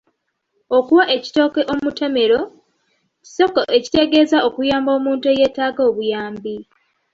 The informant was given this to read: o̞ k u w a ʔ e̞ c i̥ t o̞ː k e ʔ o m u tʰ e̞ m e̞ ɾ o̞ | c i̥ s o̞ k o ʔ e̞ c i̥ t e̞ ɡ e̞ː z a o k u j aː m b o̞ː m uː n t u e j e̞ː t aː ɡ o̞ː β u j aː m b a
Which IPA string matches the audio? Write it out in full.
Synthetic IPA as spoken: o̞ k u w a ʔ e̞ c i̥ t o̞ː k e ʔ o m u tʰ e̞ m e̞ ɾ o̞ | c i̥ s o̞ k o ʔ e̞ c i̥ t e̞ ɡ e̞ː z a o k u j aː m b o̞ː m uː n t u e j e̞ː t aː ɡ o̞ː β u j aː m b i